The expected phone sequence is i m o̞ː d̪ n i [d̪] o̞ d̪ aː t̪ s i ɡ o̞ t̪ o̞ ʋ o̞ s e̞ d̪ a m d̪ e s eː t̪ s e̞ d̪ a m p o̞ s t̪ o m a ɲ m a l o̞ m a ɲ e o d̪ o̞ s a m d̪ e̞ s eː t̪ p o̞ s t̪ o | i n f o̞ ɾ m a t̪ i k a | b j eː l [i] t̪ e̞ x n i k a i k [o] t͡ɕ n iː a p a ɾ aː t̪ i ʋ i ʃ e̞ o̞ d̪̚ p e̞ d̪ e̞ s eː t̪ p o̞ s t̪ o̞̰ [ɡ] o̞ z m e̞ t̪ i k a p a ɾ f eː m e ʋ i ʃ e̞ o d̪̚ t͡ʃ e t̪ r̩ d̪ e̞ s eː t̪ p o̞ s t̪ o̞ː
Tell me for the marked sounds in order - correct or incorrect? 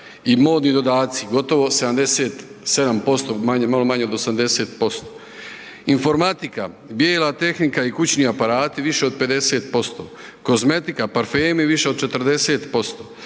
correct, incorrect: a, incorrect: u, incorrect: k

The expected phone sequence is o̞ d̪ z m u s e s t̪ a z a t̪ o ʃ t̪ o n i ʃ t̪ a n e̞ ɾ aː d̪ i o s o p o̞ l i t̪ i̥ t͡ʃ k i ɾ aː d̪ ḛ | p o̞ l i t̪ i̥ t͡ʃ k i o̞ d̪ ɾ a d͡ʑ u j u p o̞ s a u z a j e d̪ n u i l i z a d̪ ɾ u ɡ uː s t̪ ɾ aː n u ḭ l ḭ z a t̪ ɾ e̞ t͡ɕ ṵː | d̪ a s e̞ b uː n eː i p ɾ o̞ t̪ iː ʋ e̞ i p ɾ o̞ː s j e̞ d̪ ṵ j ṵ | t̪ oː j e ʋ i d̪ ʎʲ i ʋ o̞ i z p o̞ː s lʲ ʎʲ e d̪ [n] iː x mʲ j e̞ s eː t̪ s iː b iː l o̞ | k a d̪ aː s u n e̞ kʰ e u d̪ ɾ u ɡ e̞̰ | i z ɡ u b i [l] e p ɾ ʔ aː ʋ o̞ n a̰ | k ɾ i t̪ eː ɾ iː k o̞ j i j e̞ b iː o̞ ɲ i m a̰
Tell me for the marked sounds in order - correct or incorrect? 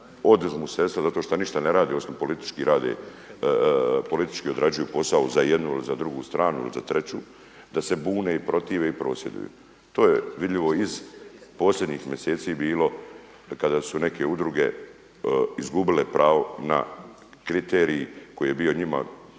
incorrect: ɲ, correct

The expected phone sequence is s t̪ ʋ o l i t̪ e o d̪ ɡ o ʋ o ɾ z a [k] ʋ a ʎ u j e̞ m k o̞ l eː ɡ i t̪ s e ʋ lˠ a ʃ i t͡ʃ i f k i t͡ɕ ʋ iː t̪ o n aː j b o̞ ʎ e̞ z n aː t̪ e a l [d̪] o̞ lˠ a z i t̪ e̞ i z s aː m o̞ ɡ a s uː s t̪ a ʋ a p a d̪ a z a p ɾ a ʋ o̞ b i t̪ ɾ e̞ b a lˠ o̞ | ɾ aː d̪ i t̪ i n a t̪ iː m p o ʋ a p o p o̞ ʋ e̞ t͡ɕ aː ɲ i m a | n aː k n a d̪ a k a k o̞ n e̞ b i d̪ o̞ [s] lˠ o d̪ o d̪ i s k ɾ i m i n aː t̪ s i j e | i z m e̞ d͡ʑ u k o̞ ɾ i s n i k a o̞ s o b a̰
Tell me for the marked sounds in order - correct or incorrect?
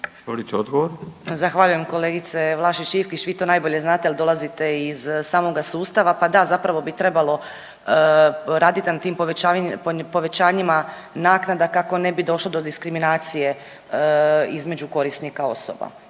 incorrect: x, correct, incorrect: ʃ

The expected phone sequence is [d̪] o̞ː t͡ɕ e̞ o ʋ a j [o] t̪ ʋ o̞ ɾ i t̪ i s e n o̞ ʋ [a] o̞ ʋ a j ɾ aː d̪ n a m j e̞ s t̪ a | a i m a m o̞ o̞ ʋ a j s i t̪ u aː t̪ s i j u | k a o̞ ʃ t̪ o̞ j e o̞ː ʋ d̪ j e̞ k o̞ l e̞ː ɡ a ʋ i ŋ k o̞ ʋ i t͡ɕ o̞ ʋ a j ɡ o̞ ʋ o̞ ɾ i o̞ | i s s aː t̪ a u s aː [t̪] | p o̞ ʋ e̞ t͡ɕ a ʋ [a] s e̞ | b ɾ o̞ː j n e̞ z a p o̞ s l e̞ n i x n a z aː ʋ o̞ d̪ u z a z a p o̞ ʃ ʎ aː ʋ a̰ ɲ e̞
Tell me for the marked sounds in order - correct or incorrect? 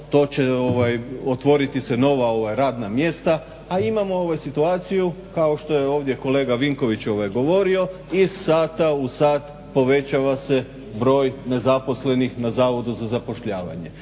incorrect: t̪, correct, correct, correct, correct

